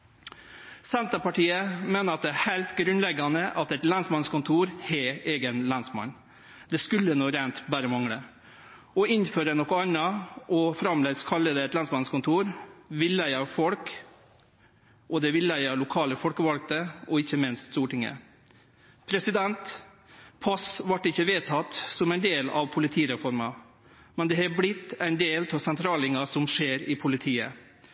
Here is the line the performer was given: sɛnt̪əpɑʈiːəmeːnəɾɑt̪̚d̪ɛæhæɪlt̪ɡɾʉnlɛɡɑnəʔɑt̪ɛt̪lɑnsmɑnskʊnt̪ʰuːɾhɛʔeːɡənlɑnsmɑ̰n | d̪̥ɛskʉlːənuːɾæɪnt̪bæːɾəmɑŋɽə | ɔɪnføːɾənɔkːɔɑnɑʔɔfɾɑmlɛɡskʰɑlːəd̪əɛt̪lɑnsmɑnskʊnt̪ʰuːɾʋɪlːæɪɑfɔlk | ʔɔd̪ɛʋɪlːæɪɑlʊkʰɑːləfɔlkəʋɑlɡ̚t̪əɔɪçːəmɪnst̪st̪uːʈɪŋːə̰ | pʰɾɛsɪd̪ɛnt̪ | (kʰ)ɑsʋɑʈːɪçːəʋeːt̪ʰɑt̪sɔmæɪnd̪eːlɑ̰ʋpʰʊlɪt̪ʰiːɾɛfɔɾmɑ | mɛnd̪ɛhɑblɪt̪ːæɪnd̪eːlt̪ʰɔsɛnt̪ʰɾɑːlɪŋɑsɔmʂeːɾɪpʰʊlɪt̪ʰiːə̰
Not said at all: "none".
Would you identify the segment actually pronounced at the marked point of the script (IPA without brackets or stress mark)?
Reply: pʰ